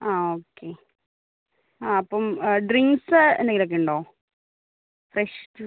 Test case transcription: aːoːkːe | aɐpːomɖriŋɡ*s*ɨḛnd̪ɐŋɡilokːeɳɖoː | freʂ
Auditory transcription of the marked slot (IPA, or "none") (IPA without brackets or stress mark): s